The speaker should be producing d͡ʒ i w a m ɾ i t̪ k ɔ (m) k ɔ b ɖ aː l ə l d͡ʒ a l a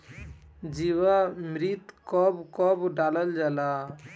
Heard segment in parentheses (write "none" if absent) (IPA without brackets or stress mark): b